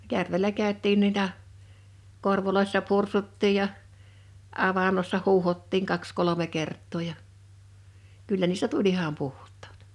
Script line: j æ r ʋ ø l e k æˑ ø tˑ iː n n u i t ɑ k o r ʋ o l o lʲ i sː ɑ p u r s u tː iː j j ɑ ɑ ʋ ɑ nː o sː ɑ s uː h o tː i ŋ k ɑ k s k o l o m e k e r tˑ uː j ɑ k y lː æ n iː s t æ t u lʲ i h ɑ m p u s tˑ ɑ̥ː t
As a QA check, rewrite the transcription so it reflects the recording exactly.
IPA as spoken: j æ r ʋ e l æ k æˑ ø tˑ iː n n u i t ɑ k o r ʋ o l o i sː ɑ p u r s u tː iː j j ɑ ɑ ʋ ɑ nː o sː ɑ h uː h o tː i ŋ k ɑ k s k o l o m e k e r tˑ oː j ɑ k y lː æ n iː s t æ t u lʲ i h ɑ m p u h tˑ ɑ̥ː t